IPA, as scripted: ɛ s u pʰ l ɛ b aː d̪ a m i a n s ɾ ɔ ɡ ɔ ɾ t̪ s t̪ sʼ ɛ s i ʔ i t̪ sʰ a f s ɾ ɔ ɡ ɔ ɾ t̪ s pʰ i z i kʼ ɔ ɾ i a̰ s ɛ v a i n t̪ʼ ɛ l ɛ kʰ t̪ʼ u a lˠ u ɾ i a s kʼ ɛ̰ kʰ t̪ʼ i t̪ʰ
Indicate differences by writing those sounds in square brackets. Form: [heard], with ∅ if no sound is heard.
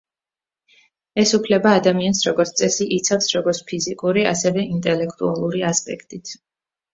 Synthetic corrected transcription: ɛ s u pʰ l ɛ b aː d̪ a m i a n s ɾ ɔ ɡ ɔ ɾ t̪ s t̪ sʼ ɛ s i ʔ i t̪ sʰ a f s ɾ ɔ ɡ ɔ ɾ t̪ s pʰ i z i kʼ [u] ɾ i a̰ s ɛ v [ɛ] i n t̪ʼ ɛ l ɛ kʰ t̪ʼ u a lˠ u ɾ i a s [pʼ] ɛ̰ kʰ t̪ʼ i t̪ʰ

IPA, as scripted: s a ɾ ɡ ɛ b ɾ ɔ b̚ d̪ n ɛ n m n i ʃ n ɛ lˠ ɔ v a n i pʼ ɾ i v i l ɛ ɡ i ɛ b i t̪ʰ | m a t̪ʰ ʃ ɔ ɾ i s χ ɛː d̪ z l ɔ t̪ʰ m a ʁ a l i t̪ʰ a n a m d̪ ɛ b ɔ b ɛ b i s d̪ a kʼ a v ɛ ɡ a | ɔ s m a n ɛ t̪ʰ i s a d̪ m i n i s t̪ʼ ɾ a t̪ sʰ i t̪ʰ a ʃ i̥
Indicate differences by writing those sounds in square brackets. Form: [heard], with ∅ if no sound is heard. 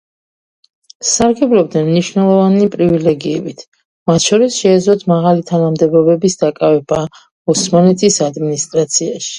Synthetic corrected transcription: s a ɾ ɡ ɛ b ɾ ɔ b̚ d̪ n ɛ n m n i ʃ n ɛ lˠ ɔ v a n i pʼ ɾ i v i l ɛ ɡ i ɛ b i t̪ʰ | m a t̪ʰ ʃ ɔ ɾ i s [ʃ] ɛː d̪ z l ɔ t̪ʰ m a ʁ a l i t̪ʰ a n a m d̪ ɛ b ɔ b ɛ b i s d̪ a kʼ a v ɛ [b] a | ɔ s m a n ɛ t̪ʰ i s a d̪ m i n i s t̪ʼ ɾ a t̪ sʰ i [∅] a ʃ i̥

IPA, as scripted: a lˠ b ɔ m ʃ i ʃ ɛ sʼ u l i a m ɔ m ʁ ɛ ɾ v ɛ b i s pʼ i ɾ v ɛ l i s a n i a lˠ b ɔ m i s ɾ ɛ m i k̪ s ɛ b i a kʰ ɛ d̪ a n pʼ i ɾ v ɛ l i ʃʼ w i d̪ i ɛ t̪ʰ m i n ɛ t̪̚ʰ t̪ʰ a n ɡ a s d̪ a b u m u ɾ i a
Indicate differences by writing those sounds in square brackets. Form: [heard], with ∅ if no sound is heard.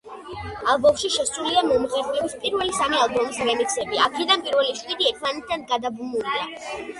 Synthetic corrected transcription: a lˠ b ɔ m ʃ i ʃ ɛ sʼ u l i a m ɔ m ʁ ɛ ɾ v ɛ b i s pʼ i ɾ v ɛ l i s a [m] i a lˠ b ɔ m i s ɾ ɛ m i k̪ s ɛ b i a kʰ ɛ d̪ a n pʼ i ɾ v ɛ l i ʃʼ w i d̪ i ɛ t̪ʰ m [a] n ɛ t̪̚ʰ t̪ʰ a n ɡ a [∅] d̪ a b u m u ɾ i a

